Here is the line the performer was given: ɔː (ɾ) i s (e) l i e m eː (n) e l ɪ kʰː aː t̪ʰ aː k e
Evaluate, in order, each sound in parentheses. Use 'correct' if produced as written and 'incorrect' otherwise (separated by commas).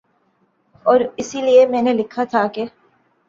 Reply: correct, incorrect, correct